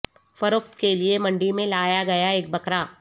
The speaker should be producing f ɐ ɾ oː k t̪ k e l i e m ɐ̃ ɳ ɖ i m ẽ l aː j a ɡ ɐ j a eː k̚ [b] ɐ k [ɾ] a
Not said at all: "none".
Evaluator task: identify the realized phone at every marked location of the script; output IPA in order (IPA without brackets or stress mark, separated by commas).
b, ɾ